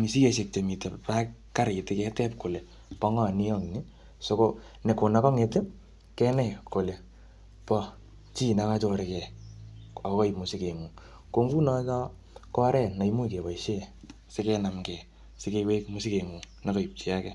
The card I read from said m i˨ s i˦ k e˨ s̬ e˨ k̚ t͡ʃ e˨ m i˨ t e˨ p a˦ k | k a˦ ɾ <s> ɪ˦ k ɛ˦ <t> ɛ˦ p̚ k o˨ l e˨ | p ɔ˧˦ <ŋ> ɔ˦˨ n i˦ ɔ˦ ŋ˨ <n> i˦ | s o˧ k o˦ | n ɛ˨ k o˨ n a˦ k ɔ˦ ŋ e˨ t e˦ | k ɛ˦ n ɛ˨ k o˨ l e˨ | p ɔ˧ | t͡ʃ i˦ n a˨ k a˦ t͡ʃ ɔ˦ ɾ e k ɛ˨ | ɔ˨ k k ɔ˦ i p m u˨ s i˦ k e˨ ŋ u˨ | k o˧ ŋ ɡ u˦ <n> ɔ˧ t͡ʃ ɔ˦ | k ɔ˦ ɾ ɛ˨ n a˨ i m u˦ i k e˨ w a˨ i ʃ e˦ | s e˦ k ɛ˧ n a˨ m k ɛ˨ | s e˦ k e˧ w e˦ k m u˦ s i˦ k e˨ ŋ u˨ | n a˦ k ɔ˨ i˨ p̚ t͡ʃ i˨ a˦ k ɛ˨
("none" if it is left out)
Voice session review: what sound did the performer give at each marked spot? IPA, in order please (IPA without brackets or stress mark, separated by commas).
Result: t, t, ŋ, n, n